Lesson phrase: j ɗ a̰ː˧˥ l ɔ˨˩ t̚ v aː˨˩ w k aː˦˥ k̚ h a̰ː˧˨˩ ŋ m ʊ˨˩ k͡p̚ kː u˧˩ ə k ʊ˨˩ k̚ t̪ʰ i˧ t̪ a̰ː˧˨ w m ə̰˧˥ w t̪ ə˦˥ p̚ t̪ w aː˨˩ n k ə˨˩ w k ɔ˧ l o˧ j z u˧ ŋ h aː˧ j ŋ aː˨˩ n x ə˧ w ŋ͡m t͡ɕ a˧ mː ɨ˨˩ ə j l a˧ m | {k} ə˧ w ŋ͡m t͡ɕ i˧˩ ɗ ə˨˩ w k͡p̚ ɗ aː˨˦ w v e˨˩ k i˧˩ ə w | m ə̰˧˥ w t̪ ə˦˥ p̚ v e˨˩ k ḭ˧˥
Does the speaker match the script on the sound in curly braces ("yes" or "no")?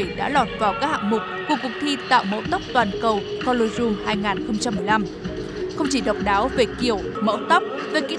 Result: no